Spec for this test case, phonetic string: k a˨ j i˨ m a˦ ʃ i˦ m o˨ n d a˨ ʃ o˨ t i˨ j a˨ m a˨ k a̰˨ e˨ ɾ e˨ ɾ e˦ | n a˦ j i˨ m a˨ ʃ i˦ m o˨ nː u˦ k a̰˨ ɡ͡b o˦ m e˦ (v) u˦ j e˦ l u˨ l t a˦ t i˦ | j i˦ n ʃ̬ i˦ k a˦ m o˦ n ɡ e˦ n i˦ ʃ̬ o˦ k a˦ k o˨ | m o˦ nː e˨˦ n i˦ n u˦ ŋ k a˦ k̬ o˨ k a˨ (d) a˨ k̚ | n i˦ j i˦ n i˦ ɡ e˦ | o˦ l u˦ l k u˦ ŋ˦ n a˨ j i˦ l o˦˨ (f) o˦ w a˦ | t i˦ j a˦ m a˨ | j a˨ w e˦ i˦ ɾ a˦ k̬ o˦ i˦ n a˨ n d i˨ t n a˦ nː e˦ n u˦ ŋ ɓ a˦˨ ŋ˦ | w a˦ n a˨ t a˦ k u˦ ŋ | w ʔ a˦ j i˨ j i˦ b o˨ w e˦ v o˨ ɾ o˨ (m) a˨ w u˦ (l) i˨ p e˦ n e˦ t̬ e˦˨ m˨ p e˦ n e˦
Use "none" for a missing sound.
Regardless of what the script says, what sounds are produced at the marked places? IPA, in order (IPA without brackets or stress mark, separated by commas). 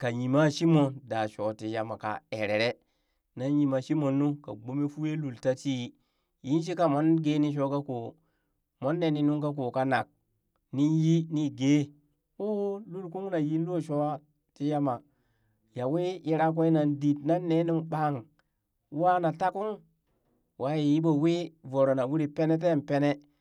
f, n, ʃ, n, ɾ